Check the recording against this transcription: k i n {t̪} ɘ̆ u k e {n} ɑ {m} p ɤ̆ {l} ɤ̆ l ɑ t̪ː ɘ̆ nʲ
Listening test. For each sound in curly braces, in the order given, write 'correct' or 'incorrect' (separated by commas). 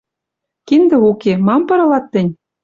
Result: incorrect, incorrect, correct, incorrect